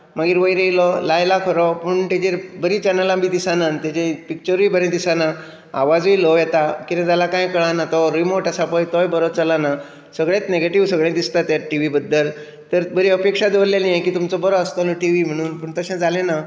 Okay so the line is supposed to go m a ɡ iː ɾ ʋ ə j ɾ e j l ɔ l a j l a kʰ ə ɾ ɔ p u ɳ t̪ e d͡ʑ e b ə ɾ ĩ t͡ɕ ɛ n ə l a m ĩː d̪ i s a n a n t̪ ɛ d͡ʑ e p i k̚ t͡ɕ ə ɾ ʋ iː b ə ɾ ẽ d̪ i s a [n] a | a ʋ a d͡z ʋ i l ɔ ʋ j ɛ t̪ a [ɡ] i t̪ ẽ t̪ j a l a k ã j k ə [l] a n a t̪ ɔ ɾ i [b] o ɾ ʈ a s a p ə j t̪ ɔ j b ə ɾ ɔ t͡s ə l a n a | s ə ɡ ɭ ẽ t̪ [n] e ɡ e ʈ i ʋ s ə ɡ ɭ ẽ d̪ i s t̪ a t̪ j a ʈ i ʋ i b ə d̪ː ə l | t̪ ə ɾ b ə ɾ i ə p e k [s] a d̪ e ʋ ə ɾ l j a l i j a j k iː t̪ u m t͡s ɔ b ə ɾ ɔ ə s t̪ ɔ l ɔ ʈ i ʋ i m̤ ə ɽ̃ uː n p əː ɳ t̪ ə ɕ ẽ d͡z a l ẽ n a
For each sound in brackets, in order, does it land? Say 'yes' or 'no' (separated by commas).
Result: yes, no, no, no, yes, no